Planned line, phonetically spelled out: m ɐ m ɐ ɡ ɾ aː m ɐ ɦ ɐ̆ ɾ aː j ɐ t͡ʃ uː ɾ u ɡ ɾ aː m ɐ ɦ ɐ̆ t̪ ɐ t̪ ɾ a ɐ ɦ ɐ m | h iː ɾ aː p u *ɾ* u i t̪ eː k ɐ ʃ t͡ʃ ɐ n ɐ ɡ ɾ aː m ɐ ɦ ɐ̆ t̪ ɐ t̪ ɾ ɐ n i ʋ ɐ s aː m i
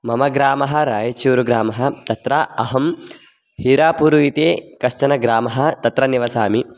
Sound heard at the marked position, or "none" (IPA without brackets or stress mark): ɾ